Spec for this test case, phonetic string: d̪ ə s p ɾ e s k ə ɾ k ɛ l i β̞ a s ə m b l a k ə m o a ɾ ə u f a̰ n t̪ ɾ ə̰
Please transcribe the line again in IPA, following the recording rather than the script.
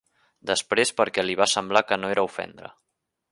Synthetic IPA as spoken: d̪ ə s p ɾ e s p ə ɾ k ɛ l i β̞ a s ə m b l a k ə n o e ɾ ə u f ɛ̰ n d̪ ɾ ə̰